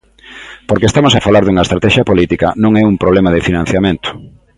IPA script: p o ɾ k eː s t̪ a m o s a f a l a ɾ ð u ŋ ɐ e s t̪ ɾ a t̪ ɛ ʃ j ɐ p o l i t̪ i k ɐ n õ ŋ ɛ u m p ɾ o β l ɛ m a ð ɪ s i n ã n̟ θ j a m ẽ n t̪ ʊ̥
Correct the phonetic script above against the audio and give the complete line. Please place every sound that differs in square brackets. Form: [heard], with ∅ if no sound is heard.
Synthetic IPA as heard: p o ɾ k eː s t̪ a m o s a f a l a ɾ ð u ŋ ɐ e s t̪ ɾ a t̪ ɛ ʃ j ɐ p o l i t̪ i k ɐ n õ ŋ ɛ u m p ɾ o β l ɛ m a ð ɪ [f] i n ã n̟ θ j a m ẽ n t̪ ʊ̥